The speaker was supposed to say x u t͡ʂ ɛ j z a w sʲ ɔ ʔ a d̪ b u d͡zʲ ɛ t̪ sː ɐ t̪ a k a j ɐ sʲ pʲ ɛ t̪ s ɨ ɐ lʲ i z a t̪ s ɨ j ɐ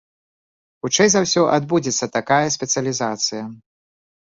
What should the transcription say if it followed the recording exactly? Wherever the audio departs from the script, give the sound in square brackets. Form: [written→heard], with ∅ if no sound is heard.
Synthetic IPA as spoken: x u t͡ʂ ɛ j z a w sʲ ɔ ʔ a d̪ b u d͡zʲ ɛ t̪ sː ɐ t̪ a k a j ɐ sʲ pʲ ɛ t̪ s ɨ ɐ lʲ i z a t̪ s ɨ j ɐ